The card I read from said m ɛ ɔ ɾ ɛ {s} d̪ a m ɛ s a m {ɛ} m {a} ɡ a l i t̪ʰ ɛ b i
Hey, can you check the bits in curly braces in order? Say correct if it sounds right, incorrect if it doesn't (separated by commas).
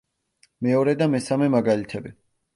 incorrect, correct, correct